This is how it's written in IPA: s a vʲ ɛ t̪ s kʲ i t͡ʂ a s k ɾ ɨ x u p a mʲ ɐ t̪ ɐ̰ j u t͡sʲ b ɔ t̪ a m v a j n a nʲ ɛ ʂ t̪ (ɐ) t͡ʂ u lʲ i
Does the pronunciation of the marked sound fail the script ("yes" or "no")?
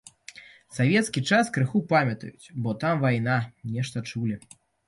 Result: no